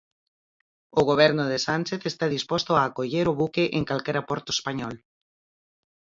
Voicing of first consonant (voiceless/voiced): voiced